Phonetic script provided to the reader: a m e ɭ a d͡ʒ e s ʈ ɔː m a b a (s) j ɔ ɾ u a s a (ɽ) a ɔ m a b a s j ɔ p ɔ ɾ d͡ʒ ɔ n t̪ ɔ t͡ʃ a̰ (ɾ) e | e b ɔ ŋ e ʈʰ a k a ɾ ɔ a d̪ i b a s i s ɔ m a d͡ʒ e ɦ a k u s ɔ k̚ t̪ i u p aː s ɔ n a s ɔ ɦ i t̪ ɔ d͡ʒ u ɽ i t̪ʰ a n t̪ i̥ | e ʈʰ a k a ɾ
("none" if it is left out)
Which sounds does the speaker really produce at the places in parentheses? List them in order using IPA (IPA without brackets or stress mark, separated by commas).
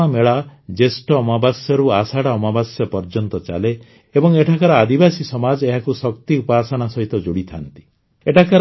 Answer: s, ɽ, l